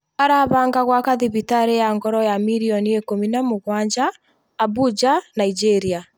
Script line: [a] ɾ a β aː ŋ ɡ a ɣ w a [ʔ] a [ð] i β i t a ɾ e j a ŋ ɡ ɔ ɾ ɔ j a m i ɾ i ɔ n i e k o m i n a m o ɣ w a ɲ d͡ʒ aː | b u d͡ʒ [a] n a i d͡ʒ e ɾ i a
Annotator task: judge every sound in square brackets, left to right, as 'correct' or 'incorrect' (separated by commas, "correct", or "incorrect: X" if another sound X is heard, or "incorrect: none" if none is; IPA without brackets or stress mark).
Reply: correct, incorrect: k, correct, correct